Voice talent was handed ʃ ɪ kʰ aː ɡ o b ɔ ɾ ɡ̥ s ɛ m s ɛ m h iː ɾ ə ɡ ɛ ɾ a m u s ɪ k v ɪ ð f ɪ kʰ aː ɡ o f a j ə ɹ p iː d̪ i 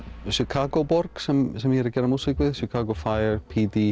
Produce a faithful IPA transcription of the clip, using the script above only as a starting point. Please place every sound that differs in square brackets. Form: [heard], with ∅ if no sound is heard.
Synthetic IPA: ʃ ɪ kʰ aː ɡ o b ɔ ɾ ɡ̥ s ɛ m s ɛ m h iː ɾ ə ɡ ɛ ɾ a m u s ɪ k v ɪ ð [ʃ] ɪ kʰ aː ɡ o f a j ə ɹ [pʰ] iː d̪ i